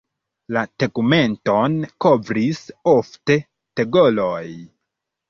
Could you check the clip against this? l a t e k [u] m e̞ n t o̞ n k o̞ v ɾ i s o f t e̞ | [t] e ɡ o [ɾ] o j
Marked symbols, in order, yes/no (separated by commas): yes, yes, no